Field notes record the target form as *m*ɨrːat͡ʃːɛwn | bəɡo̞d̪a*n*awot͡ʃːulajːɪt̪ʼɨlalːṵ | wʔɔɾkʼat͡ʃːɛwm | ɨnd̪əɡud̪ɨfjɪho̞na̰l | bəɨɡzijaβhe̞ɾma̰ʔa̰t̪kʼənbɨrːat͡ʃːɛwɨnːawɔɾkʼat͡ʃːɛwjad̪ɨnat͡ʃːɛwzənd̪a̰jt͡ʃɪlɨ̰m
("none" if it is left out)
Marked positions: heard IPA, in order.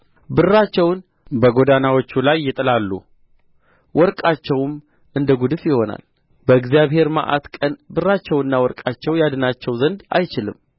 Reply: b, n

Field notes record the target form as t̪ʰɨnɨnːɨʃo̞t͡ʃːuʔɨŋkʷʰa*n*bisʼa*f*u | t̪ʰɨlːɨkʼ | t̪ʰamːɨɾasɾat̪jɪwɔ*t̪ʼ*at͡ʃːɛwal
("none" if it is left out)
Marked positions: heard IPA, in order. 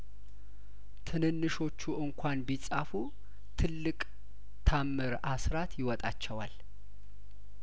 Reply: n, f, t̪ʼ

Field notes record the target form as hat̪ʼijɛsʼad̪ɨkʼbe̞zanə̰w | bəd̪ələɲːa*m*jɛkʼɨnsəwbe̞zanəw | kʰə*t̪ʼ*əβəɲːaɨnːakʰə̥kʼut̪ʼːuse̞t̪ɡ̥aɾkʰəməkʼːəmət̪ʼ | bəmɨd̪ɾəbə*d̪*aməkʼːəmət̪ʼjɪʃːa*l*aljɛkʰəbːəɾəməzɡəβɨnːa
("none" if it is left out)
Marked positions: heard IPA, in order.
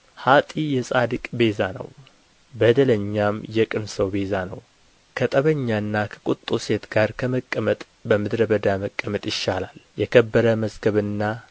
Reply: m, t̪ʼ, d̪, l

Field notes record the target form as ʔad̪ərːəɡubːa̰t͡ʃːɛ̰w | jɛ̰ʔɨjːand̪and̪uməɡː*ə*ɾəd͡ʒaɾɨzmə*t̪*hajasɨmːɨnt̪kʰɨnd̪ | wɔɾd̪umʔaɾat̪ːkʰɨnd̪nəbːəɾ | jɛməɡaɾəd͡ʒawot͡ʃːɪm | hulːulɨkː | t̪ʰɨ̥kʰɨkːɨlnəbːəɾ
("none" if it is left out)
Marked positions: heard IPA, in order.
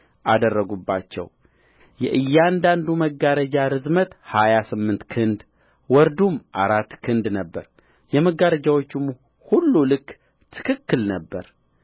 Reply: a, t̪

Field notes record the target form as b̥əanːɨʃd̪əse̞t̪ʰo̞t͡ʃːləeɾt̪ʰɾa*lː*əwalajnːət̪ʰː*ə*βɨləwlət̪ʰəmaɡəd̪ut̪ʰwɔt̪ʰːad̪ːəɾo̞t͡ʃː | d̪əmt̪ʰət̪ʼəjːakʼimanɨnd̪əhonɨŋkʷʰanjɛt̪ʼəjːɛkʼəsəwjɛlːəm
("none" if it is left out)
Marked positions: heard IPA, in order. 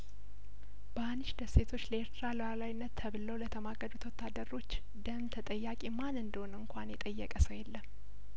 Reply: l, ə

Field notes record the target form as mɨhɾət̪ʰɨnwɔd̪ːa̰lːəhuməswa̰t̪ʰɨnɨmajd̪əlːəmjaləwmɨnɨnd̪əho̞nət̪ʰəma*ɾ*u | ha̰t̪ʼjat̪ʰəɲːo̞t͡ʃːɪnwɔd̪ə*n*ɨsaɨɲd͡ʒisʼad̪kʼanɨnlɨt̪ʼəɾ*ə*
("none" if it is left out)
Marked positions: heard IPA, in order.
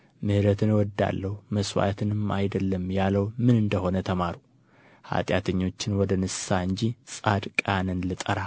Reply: ɾ, n, a

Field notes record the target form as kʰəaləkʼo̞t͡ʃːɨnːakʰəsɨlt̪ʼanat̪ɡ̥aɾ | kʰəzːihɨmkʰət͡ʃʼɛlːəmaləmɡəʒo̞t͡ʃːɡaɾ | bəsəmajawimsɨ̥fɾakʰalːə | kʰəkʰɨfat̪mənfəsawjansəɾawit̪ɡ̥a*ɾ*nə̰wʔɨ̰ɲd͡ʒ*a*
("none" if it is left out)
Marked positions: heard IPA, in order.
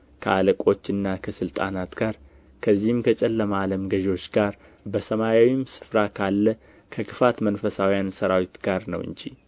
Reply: ɾ, i

